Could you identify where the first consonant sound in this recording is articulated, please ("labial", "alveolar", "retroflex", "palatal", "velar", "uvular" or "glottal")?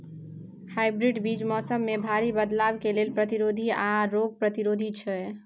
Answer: glottal